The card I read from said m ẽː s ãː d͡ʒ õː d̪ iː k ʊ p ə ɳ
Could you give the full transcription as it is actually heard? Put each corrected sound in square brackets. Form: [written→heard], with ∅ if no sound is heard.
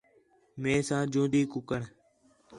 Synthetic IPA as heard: m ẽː s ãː d͡ʒ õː d̪ iː k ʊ [p→k] ə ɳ